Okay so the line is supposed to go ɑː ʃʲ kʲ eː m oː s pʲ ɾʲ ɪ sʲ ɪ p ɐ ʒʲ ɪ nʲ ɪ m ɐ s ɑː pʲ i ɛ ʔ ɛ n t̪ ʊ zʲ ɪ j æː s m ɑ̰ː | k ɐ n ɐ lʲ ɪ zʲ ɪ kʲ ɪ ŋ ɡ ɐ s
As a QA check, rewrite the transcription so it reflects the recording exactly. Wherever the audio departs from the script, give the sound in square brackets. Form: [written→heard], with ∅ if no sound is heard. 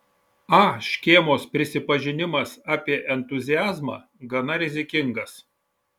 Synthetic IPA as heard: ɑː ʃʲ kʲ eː m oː s pʲ ɾʲ ɪ sʲ ɪ p ɐ ʒʲ ɪ nʲ ɪ m ɐ s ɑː pʲ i ɛ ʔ ɛ n t̪ ʊ zʲ ɪ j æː [s→z] m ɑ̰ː | [k→ɡ] ɐ n ɐ [lʲ→ɾʲ] ɪ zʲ ɪ kʲ ɪ ŋ ɡ ɐ s

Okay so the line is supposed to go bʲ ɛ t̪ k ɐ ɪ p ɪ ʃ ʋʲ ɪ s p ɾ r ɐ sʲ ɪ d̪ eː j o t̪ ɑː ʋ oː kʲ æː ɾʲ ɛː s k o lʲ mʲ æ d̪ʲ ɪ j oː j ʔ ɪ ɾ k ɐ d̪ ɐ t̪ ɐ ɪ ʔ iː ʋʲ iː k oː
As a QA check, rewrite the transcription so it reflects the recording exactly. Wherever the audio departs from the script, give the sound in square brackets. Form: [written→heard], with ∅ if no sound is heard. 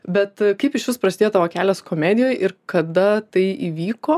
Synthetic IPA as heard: bʲ ɛ t̪ k ɐ ɪ p ɪ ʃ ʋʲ ɪ s p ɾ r ɐ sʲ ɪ d̪ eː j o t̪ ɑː ʋ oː kʲ æː [ɾʲ→lʲ] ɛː s k o [lʲ→∅] mʲ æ d̪ʲ ɪ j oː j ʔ ɪ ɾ k ɐ d̪ ɐ t̪ ɐ ɪ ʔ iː ʋʲ iː k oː

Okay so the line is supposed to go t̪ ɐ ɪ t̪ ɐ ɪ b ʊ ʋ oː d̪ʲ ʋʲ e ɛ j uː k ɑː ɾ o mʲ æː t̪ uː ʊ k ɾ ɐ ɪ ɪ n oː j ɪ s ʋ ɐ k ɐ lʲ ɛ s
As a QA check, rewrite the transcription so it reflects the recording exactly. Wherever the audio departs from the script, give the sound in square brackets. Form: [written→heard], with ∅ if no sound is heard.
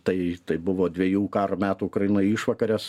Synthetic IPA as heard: t̪ ɐ ɪ t̪ ɐ ɪ b ʊ ʋ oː d̪ʲ ʋʲ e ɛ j uː k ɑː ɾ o mʲ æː t̪ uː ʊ k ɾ ɐ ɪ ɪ n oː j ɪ [s→ʃ] ʋ ɐ k ɐ [lʲ→ɾʲ] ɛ s

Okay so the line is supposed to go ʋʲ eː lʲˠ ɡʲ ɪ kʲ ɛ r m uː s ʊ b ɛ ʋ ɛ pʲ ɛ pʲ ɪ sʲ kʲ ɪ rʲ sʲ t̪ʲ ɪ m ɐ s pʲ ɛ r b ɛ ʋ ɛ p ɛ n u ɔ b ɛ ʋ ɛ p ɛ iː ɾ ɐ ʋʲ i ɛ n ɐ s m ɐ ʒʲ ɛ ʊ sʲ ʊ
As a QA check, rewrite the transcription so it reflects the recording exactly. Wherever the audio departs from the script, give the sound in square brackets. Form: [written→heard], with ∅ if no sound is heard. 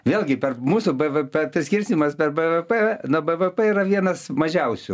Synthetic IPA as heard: ʋʲ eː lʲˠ ɡʲ ɪ [kʲ→pʲ] ɛ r m uː s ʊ b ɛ ʋ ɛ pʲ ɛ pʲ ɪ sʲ kʲ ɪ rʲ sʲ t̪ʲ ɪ m ɐ s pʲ ɛ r b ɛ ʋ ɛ p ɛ n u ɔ b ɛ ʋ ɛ p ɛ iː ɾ ɐ ʋʲ i ɛ n ɐ s m ɐ ʒʲ ɛ ʊ sʲ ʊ

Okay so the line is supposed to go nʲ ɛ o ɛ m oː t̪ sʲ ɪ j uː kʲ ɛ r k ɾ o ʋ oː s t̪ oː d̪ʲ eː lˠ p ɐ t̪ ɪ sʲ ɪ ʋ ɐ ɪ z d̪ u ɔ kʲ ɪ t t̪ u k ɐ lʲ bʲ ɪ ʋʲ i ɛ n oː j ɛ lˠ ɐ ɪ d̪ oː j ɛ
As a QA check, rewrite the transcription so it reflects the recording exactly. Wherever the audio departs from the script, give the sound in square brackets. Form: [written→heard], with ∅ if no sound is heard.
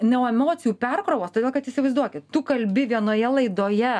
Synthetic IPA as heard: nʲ ɛ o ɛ m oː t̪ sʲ ɪ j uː [kʲ→pʲ] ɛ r k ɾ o ʋ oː s t̪ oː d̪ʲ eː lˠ [p→k] ɐ t̪ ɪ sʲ ɪ ʋ ɐ ɪ z d̪ u ɔ kʲ ɪ t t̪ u k ɐ lʲ bʲ ɪ ʋʲ i ɛ n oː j ɛ lˠ ɐ ɪ d̪ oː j ɛ

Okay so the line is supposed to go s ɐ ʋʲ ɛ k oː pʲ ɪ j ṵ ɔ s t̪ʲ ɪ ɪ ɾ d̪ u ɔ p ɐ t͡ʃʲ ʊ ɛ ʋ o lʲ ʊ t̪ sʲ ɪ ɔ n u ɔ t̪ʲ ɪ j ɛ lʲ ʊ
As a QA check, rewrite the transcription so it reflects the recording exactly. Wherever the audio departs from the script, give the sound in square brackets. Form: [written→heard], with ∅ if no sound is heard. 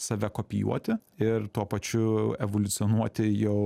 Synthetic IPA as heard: s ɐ ʋʲ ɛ k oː pʲ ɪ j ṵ ɔ [s→∅] t̪ʲ ɪ ɪ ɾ [d̪→t̪] u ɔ p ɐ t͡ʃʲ ʊ ɛ ʋ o lʲ ʊ t̪ sʲ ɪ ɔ n u ɔ t̪ʲ ɪ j ɛ [lʲ→∅] ʊ

